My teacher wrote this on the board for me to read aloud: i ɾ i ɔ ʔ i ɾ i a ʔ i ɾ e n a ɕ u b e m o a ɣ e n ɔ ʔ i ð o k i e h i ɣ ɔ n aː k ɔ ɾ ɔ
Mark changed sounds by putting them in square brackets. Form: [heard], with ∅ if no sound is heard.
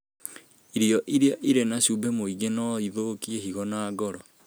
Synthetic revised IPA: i ɾ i ɔ ʔ i ɾ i a ʔ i ɾ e n a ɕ u b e m o [i] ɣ e n ɔ [∅] i ð o k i e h i ɣ ɔ n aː [ɡ] ɔ ɾ ɔ